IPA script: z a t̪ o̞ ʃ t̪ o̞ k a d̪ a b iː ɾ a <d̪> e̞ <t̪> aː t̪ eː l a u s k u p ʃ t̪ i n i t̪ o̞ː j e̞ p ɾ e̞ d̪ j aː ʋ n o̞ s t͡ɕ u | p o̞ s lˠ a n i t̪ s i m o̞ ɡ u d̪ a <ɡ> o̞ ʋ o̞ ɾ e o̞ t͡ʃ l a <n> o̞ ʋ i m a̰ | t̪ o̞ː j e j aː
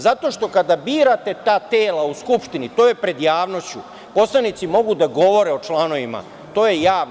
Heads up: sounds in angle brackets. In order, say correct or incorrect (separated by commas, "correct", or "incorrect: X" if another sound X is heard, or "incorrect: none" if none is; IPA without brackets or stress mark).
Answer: incorrect: t̪, correct, correct, correct